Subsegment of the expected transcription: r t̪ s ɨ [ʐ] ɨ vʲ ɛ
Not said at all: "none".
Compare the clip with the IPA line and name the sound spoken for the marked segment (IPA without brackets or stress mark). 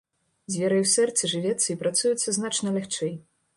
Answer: ʐ